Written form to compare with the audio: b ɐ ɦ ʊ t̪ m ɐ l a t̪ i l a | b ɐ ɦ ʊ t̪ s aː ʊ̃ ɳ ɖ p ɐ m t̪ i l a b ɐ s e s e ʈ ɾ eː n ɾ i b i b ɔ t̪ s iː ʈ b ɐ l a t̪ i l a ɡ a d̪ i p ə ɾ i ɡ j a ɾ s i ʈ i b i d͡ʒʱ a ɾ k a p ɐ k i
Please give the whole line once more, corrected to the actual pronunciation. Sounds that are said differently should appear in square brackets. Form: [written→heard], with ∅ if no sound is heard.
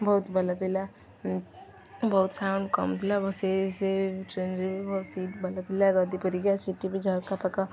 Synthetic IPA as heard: b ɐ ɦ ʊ t̪ [m→b] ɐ l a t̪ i l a | b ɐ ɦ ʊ t̪ s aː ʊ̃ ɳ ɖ [p→k] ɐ m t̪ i l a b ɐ s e s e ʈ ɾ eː n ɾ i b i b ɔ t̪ s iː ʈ b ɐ l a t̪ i l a ɡ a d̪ i p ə ɾ i ɡ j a [ɾ→∅] s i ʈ i b i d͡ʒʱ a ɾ k a p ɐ k [i→a]